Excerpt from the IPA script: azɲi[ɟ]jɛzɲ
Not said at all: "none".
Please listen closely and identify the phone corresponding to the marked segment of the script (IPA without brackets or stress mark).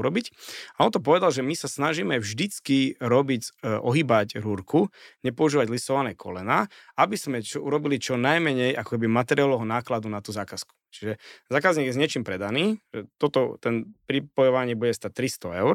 ɡ